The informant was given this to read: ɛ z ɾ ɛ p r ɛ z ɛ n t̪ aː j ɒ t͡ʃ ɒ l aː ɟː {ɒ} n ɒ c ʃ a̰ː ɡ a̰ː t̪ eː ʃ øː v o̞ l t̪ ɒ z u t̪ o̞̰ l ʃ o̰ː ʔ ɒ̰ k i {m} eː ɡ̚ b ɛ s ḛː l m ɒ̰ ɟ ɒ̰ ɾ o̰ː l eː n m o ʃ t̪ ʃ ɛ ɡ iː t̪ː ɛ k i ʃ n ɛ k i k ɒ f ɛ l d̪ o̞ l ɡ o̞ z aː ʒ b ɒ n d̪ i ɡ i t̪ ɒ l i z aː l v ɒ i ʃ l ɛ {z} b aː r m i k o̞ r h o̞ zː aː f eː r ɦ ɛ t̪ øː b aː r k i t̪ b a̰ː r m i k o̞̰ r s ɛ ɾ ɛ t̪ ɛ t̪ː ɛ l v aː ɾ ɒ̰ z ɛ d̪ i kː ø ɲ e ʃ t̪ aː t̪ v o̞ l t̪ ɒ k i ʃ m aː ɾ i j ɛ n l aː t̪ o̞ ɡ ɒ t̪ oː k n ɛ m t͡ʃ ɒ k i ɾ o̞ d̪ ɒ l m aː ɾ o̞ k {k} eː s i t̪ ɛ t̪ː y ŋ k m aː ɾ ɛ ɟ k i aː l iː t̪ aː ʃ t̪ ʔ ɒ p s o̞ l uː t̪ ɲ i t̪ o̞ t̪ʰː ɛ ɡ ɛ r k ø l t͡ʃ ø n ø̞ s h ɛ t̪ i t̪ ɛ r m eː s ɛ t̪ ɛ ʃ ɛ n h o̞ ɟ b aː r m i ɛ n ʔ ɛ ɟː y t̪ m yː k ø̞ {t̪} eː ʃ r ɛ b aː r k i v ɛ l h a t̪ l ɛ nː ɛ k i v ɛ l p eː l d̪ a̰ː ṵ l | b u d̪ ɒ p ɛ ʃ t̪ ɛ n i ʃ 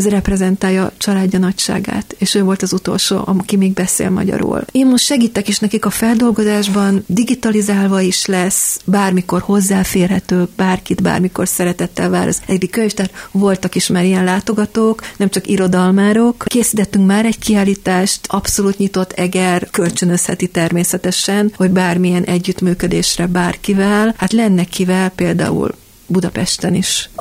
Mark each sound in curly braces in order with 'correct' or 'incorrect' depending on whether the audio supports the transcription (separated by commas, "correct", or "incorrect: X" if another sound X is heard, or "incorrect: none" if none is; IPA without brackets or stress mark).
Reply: correct, correct, incorrect: s, correct, incorrect: d̪